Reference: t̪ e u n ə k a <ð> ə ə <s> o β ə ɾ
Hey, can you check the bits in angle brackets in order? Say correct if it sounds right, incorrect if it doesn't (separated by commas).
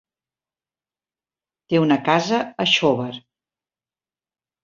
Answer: incorrect, incorrect